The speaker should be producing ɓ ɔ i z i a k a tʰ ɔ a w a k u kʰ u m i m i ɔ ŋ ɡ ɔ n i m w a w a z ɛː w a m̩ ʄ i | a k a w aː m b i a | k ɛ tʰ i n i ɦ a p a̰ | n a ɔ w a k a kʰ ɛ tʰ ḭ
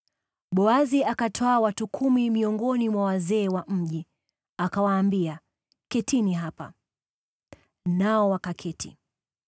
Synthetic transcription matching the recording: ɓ ɔ a z i a k a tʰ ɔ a w a t u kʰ u m i m i ɔ ŋ ɡ ɔ n i m w a w a z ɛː w a m̩ ʄ i | a k a w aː m b i a | k ɛ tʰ i n i ɦ a p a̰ | n a ɔ w a k a kʰ ɛ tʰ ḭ

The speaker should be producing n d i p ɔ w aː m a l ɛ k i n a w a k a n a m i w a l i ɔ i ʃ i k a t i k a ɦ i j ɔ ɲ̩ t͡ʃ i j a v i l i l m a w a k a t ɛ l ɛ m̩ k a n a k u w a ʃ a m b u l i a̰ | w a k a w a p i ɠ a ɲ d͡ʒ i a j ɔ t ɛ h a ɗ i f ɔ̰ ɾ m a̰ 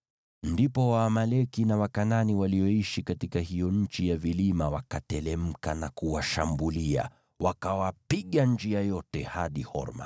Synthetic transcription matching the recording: n d i p ɔ w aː m a l ɛ k i n a w a k a n a n i w a l i ɔ i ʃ i k a t i k a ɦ i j ɔ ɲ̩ t͡ʃ i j a v i l i m a w a k a t ɛ l ɛ m̩ k a n a k u w a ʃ a m b u l i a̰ | w a k a w a p i ɠ a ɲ d͡ʒ i a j ɔ t ɛ h a ɗ i h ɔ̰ ɾ m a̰

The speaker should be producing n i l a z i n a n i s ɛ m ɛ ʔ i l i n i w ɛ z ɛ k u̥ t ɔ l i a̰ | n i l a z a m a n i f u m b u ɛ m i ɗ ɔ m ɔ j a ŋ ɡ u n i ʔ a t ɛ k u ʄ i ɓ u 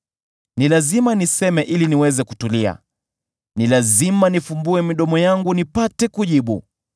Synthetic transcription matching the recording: n i l a z i m a n i s ɛ m ɛ ʔ i l i n i w ɛ z ɛ k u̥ t u l i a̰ | n i l a z i m a n i f u m b u ɛ m i ɗ ɔ m ɔ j a ŋ ɡ u n i p a t ɛ k u ʄ i ɓ u

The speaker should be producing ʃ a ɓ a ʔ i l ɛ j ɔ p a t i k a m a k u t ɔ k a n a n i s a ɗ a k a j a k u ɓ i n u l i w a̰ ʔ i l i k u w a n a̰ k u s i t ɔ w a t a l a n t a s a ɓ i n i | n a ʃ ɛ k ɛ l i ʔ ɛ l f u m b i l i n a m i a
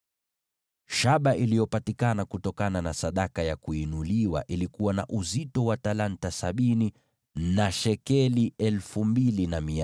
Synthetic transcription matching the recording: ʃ a ɓ a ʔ i l i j ɔ p a t i k a n a k u t ɔ k a n a n a s a ɗ a k a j a k u i n u l i w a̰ ʔ i l i k u w a n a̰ ʔ u z i t ɔ w a t a l a n t a s a ɓ i n i | n a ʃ ɛ k ɛ l i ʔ ɛ l f u m b i l i n a m i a

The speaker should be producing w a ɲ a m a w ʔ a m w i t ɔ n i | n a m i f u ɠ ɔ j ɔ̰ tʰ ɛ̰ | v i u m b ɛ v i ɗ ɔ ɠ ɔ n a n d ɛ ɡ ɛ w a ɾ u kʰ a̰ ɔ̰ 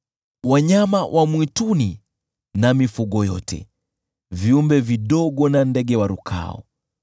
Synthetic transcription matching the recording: w a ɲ a m a w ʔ a m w i t u n i | n a m i f u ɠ ɔ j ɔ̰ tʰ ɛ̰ | v i u m b ɛ v i ɗ ɔ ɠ ɔ n a n d ɛ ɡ ɛ w a ɾ u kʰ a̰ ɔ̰

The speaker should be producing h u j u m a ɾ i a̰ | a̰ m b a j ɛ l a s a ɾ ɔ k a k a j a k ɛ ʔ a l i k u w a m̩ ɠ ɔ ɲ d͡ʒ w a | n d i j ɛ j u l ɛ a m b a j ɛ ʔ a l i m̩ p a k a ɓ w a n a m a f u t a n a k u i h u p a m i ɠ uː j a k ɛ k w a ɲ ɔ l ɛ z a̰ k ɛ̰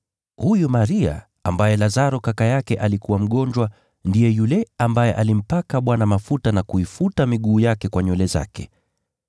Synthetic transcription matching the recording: h u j u m a ɾ i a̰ | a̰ m b a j ɛ l a z a ɾ ɔ k a k a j a k ɛ ʔ a l i k u w a m̩ ɠ ɔ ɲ d͡ʒ w a | n d i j ɛ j u l ɛ a m b a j ɛ ʔ a l i m̩ p a k a ɓ w a n a m a f u t a n a k u i f u t a m i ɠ uː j a k ɛ k w a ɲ ɔ l ɛ z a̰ k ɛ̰

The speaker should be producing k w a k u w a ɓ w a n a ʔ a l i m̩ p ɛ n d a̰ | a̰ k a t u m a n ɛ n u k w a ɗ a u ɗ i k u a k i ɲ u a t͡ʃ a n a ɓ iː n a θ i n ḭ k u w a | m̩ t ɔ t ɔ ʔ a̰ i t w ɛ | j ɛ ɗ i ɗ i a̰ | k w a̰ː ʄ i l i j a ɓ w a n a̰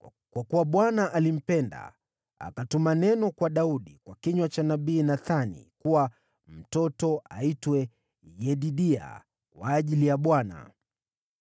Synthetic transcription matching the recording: k w a k u w a ɓ w a n a ʔ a l i m̩ p ɛ n d a̰ | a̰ k a t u m a n ɛ n ɔ k w a ɗ a u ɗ i k w a k i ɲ w a t͡ʃ a n a ɓ iː n a θ a n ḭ k u w a | m̩ t ɔ t ɔ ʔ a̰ i t w ɛ | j ɛ ɗ i ɗ i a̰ | k w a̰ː ʄ i l i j a ɓ w a n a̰

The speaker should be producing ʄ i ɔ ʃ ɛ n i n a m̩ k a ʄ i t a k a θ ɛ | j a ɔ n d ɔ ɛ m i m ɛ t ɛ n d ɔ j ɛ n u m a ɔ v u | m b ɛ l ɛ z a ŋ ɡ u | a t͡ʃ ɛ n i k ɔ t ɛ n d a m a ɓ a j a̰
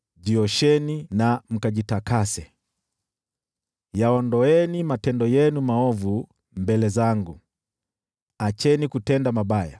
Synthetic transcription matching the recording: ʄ i ɔ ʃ ɛ n i n a m̩ k a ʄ i t a k a s ɛ | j a ɔ n d ɔ ɛ n i m a t ɛ n d ɔ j ɛ n u m a ɔ v u | m b ɛ l ɛ z a ŋ ɡ u | a t͡ʃ ɛ n i k u t ɛ n d a m a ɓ a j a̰

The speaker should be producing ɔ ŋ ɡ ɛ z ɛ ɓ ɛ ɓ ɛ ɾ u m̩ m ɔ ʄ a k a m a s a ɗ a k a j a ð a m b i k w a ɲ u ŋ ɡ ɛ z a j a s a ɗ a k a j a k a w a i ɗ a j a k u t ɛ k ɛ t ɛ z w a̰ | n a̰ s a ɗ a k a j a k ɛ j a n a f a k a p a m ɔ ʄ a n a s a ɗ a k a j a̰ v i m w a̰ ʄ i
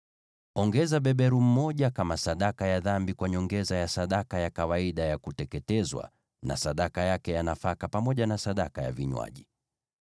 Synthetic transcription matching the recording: ɔ ŋ ɡ ɛ z a ɓ ɛ ɓ ɛ ɾ u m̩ m ɔ ʄ a k a m a s a ɗ a k a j a ð a m b i k w a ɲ ɔ ŋ ɡ ɛ z a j a s a ɗ a k a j a k a w a i ɗ a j a k u t ɛ k ɛ t ɛ z w a̰ | n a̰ s a ɗ a k a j a k ɛ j a n a f a k a p a m ɔ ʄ a n a s a ɗ a k a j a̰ v i ɲ w a̰ ʄ i

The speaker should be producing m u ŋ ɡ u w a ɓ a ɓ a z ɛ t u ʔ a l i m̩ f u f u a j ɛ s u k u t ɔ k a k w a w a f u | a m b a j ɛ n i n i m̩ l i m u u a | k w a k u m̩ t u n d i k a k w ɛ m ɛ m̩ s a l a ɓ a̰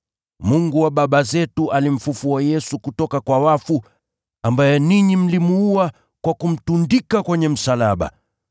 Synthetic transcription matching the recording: m u ŋ ɡ u w a ɓ a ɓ a z ɛ t u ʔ a l i m̩ f u f u a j ɛ s u k u t ɔ k a k w a w a f u | a m b a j ɛ n i ɲ i m̩ l i m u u a | k w a k u m̩ t u n d i k a k w ɛ ɲ ɛ m̩ s a l a ɓ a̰

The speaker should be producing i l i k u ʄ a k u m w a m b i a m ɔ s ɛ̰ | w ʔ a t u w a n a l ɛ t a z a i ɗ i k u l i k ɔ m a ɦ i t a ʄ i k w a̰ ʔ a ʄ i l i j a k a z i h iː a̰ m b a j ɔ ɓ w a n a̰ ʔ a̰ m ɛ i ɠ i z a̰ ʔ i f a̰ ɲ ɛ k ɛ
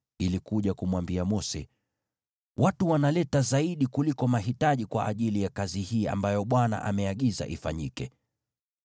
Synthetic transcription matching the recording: i l i k u ʄ a k u m w a m b i a m ɔ s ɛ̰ | w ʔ a t u w a n a l ɛ t a z a i ɗ i k u l i k ɔ m a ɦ i t a ʄ i k w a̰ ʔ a ʄ i l i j a k a z i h iː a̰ m b a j ɔ ɓ w a n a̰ ʔ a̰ m ɛ a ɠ i z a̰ ʔ i f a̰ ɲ i k ɛ

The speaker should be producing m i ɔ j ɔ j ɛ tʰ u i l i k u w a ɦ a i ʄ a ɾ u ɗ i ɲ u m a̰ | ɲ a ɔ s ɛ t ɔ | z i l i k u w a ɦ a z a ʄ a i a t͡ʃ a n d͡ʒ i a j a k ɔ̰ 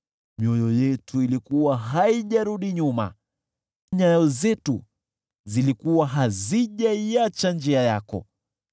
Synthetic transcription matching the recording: m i ɔ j ɔ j ɛ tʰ u i l i k u w a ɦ a i ʄ a ɾ u ɗ i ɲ u m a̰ | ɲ a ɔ z ɛ t u | z i l i k u w a ɦ a z i ʄ a i a t͡ʃ a n d͡ʒ i a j a k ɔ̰

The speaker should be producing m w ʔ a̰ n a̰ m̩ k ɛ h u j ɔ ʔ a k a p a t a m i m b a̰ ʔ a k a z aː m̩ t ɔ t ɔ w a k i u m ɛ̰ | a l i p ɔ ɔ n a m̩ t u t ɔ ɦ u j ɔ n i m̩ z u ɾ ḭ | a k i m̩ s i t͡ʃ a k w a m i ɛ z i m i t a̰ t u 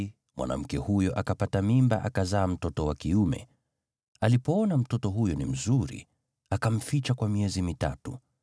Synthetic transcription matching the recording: m w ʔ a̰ n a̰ m̩ k ɛ h u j ɔ ʔ a k a p a t a m i m b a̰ ʔ a k a z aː m̩ t ɔ t ɔ w a k i u m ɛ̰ | a l i p ɔ ɔ n a m̩ t ɔ t ɔ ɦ u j ɔ n i m̩ z u ɾ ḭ | a k a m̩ f i t͡ʃ a k w a m i ɛ z i m i t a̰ t u

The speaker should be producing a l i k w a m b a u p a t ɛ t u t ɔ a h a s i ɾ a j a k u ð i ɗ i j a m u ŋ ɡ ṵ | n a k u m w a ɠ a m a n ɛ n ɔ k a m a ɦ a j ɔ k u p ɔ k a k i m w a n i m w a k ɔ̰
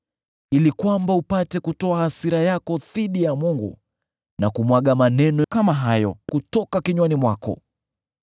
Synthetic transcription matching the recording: i l i k w a m b a u p a t ɛ k u t ɔ a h a s i ɾ a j a k ɔ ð i ɗ i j a m u ŋ ɡ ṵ | n a k u m w a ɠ a m a n ɛ n ɔ k a m a ɦ a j ɔ k u t ɔ k a k i ɲ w a n i m w a k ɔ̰

